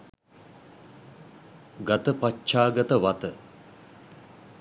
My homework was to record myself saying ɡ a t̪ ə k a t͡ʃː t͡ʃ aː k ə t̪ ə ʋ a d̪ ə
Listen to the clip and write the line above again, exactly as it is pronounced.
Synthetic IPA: ɡ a t̪ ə p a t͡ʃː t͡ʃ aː ɡ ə t̪ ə ʋ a t̪ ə